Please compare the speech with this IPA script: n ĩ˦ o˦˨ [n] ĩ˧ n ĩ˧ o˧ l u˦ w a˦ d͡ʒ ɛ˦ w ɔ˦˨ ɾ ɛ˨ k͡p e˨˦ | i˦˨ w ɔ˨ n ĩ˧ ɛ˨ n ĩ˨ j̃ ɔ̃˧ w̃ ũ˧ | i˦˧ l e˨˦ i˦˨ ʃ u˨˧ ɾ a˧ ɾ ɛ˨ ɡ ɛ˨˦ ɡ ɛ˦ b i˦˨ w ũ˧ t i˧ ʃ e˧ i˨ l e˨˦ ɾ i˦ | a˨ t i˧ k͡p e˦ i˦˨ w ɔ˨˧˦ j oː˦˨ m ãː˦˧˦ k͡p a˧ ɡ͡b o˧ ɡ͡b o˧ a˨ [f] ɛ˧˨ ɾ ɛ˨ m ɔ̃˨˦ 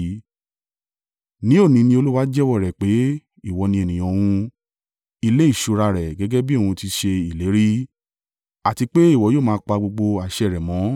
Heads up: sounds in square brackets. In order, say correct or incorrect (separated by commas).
correct, incorrect